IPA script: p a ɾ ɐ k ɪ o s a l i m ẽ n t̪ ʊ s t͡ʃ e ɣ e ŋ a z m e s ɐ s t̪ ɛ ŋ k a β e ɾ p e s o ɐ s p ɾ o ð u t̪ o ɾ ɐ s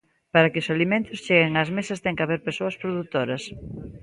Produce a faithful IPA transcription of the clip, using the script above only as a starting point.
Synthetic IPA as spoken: p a ɾ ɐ k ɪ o s a l i m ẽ n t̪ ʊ s t͡ʃ e ɣ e ŋ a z m e s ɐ s t̪ ɛ ŋ k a β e ɾ p e s o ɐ s p ɾ o ð u t̪ o ɾ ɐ s